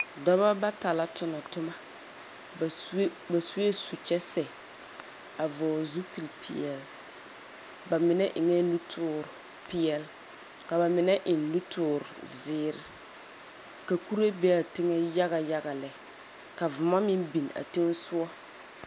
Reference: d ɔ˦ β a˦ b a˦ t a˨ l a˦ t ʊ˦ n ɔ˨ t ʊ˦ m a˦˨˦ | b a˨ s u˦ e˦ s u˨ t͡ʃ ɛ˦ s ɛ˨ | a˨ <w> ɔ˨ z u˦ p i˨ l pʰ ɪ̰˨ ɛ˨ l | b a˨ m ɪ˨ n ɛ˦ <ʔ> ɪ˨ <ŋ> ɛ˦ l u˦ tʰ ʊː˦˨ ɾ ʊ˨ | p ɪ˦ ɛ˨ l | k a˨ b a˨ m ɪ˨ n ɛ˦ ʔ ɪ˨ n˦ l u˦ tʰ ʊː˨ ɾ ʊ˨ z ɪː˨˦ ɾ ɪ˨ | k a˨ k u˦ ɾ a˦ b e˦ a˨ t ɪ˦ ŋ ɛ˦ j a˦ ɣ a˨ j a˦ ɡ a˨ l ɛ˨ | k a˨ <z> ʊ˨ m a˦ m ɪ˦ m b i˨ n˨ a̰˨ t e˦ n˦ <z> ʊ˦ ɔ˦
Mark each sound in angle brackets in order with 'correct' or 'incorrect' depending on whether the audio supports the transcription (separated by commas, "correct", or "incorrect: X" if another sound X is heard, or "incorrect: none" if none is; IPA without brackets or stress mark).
incorrect: v, correct, correct, incorrect: v, incorrect: s